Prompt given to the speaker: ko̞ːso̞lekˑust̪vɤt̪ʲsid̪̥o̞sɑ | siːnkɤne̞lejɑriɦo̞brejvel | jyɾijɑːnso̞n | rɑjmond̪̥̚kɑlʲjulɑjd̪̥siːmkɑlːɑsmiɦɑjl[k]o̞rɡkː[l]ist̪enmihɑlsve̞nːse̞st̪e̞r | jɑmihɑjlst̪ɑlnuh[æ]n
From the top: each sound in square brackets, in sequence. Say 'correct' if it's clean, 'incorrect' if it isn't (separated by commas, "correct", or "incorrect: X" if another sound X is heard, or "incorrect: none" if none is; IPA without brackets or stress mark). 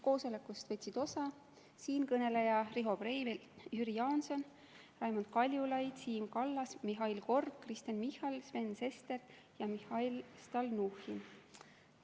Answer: correct, incorrect: r, incorrect: i